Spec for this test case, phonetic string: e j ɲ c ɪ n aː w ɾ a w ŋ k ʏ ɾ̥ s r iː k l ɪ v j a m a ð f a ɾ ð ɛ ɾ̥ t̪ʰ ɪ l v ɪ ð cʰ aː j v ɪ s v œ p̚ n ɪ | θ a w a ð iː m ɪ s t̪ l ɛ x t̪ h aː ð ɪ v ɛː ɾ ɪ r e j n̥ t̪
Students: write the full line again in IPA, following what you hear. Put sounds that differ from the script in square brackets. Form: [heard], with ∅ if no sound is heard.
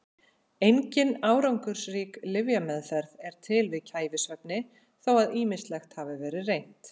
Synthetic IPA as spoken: e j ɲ c ɪ n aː w ɾ a w ŋ k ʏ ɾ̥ s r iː k l ɪ v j a m [ɛ] ð f [ɛ] ɾ ð ɛ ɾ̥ t̪ʰ ɪ l v ɪ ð cʰ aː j v ɪ s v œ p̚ n ɪ | θ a w a ð iː m ɪ s t̪ l ɛ x t̪ h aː [v] ɪ v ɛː ɾ ɪ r e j n̥ t̪